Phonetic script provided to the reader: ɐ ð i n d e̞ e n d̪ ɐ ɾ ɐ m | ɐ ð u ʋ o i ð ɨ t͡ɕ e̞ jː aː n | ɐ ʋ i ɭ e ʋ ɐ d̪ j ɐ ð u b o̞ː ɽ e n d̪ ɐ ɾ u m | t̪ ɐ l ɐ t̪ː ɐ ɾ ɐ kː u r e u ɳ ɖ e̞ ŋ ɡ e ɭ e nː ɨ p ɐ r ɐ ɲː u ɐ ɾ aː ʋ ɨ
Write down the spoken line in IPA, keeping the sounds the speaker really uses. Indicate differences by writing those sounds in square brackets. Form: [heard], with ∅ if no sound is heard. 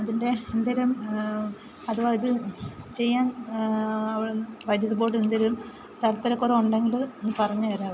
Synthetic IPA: ɐ ð i n d e̞ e n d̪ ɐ ɾ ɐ m | ɐ ð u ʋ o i ð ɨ t͡ɕ e̞ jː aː n | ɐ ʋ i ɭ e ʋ ɐ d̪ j ɐ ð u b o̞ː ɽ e n d̪ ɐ ɾ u m | t̪ ɐ l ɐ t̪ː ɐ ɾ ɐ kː u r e u ɳ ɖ e̞ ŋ ɡ [i] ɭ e nː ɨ p ɐ r ɐ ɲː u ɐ ɾ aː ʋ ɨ